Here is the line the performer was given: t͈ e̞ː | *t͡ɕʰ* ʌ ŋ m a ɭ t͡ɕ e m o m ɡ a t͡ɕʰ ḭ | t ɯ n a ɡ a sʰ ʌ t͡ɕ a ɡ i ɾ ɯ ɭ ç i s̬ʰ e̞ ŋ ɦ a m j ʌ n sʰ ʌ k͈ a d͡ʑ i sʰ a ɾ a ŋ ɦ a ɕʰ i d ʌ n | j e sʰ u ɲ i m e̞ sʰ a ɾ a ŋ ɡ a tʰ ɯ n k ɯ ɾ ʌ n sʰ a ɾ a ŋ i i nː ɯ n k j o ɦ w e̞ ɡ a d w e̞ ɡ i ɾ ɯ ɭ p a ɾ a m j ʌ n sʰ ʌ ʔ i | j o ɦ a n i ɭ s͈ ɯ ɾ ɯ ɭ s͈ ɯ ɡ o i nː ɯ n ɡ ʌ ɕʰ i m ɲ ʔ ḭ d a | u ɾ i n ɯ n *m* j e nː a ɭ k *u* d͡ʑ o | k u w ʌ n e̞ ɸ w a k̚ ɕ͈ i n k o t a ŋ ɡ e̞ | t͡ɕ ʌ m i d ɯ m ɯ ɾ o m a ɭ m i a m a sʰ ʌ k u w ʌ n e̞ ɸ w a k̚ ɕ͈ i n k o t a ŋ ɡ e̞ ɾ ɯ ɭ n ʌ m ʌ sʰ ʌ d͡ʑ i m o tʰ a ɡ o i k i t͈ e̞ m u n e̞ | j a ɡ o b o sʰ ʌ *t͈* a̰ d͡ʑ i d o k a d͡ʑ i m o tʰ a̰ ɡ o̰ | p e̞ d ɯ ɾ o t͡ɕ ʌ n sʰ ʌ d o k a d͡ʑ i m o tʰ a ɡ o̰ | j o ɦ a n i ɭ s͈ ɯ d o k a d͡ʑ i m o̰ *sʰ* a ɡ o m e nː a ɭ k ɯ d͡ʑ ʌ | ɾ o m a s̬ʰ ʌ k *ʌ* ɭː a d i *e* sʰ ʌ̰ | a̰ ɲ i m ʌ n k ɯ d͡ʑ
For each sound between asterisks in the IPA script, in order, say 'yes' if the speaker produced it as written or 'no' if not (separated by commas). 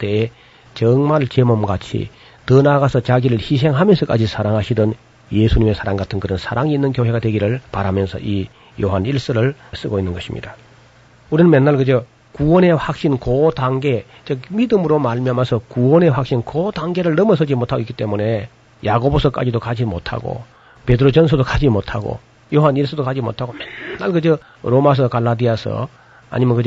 no, yes, no, no, no, no, no